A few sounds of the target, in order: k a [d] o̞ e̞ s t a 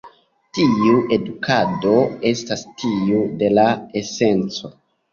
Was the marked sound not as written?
no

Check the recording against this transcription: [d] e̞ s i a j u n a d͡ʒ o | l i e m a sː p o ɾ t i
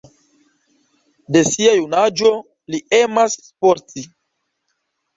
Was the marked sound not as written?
no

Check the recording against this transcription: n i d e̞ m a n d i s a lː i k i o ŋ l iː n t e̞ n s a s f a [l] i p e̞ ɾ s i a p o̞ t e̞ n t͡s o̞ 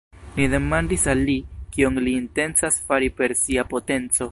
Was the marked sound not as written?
yes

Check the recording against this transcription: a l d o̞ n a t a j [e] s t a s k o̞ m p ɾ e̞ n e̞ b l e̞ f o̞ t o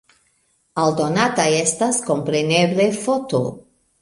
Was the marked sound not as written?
no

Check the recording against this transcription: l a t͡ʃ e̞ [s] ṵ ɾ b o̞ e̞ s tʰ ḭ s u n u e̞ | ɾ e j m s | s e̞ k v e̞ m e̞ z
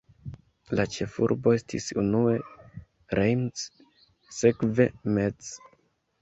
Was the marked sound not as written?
yes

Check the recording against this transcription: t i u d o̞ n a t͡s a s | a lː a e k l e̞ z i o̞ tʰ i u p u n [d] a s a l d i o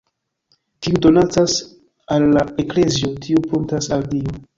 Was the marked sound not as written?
yes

